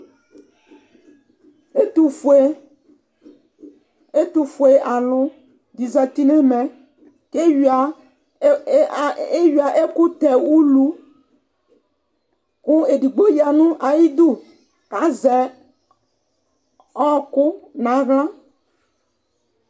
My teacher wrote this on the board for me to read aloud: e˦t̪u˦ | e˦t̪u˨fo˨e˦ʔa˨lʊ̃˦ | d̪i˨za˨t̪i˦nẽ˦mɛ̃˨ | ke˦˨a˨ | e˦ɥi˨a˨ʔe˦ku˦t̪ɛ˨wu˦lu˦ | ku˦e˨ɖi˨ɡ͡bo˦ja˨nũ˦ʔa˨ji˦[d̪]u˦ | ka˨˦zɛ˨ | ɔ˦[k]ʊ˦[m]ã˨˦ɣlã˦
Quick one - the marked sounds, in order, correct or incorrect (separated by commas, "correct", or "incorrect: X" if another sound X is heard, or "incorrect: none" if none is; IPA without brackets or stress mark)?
correct, correct, incorrect: n